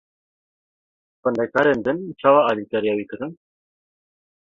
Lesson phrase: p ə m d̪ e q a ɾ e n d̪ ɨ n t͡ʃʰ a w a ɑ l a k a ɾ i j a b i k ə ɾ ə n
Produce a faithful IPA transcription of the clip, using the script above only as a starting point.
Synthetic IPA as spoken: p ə n d̪ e k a ɾ e n d̪ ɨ n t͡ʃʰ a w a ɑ l i k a ɾ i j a w i k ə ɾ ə n